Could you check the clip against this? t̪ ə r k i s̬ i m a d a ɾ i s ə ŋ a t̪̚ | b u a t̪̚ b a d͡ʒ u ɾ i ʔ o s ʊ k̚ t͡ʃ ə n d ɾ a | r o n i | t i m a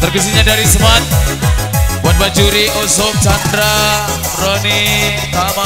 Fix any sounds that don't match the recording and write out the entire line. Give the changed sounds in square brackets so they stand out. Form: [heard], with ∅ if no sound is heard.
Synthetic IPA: t̪ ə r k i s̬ i [ɲ] a d a ɾ i s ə [m] a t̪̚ | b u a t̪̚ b a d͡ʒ u ɾ i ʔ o s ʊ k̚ t͡ʃ [a] n d ɾ a | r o n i | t [a] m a